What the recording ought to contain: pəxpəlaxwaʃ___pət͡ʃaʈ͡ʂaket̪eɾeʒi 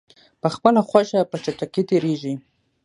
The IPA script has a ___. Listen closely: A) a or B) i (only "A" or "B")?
A